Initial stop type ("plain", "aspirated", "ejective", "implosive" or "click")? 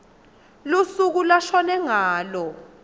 plain